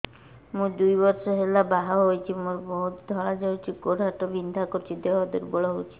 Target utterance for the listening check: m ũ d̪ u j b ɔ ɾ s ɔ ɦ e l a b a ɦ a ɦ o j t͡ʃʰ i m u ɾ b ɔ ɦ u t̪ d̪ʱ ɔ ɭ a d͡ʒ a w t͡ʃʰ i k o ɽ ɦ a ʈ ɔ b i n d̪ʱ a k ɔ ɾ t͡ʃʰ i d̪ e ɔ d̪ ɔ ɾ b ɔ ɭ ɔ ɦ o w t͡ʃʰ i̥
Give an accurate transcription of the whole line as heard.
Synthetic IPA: m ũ d̪ u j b ɔ ɾ s ɔ ɦ e l a b a ɦ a ɦ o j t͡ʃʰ i m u ɾ b ɔ ɦ u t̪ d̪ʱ ɔ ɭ a d͡ʒ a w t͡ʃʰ i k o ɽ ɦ a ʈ ɔ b i n d̪ʱ a k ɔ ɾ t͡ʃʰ i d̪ e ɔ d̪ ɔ ɾ b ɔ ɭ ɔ ɦ o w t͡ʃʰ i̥